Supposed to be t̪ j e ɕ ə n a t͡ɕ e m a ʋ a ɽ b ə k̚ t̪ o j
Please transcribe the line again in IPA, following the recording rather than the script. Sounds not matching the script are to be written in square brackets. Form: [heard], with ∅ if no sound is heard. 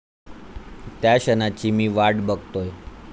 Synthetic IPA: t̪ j [a] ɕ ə n a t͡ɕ [i] m [i] ʋ a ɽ b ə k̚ t̪ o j